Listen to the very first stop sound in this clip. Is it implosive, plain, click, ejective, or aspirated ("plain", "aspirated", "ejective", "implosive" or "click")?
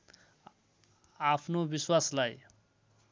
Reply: aspirated